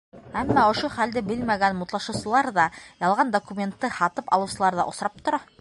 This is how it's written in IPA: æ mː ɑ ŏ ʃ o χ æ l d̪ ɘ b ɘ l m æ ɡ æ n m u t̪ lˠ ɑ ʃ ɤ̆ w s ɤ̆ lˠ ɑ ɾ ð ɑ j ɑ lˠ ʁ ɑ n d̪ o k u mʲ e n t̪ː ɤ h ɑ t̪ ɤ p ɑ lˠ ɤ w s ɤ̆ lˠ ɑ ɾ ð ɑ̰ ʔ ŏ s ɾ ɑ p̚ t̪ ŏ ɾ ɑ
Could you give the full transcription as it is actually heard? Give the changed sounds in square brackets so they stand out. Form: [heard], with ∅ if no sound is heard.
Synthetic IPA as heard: æ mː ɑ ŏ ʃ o χ æ l d̪ ɘ b ɘ l m æ ɡ æ n m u t̪ lˠ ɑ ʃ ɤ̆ w s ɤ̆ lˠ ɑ ɾ ð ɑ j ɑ lˠ ʁ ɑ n d̪ o k u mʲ e n t̪ː ɤ h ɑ t̪ ɤ p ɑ lˠ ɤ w s ɤ̆ lˠ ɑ ɾ ð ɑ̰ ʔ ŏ s ɾ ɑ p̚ t̪ ŏ ɾ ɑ